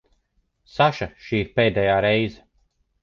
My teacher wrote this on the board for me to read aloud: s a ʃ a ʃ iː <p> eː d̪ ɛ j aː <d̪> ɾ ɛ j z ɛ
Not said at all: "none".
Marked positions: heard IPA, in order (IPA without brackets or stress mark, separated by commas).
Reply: p, none